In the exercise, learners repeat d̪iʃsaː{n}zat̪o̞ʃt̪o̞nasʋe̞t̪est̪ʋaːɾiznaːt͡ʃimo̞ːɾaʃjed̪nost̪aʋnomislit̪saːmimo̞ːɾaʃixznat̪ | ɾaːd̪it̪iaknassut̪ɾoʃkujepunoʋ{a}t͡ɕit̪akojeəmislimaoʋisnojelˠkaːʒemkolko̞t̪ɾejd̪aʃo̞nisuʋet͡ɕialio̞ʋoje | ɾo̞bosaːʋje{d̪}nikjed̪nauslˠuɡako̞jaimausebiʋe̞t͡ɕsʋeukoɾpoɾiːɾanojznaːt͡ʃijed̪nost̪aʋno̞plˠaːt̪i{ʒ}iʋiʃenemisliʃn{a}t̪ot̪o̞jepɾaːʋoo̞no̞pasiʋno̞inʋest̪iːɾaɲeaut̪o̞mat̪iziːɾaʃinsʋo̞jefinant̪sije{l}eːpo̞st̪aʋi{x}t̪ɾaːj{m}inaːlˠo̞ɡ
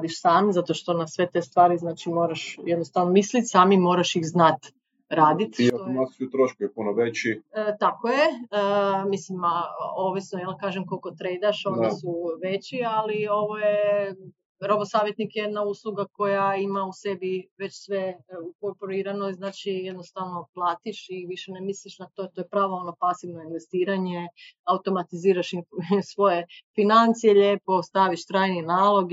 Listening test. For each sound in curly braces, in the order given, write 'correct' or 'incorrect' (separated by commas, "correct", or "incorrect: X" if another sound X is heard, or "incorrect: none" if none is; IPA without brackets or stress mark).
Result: incorrect: m, incorrect: e, incorrect: t̪, incorrect: ʃ, correct, incorrect: ʎ, incorrect: ʃ, incorrect: n